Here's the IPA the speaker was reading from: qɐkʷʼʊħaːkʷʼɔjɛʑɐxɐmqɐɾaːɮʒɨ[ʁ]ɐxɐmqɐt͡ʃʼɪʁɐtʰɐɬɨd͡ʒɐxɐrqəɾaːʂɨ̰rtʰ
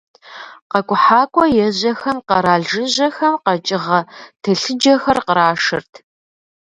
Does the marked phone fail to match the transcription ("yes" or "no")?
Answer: yes